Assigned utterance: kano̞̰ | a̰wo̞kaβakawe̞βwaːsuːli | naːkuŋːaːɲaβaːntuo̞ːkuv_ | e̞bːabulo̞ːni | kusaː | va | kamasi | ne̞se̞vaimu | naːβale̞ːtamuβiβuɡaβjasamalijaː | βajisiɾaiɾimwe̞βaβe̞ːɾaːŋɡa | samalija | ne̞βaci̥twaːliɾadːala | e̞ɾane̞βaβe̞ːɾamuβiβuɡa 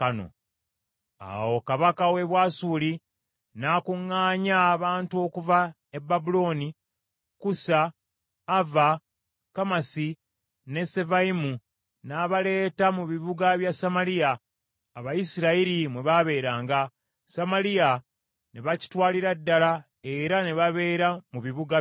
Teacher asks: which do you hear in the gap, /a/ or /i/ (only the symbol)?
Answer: a